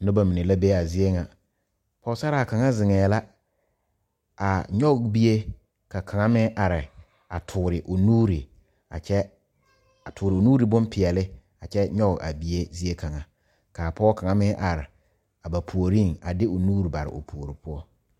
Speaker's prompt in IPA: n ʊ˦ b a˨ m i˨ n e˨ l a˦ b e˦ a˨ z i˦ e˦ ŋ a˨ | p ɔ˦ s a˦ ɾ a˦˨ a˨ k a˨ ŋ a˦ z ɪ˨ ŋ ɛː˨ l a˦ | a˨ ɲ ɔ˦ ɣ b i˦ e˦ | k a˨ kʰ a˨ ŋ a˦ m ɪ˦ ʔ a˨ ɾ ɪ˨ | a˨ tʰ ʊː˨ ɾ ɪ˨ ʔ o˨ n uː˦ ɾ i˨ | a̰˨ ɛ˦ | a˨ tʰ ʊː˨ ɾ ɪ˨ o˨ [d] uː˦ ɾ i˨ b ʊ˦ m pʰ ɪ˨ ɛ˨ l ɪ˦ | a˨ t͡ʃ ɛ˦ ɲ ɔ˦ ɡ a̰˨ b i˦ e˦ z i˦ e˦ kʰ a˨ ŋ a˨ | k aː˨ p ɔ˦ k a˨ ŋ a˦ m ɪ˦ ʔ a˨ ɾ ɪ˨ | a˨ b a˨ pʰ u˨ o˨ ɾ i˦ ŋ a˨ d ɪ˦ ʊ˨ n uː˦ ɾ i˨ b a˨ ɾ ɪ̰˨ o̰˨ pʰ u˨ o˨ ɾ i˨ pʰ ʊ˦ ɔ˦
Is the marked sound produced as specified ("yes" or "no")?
no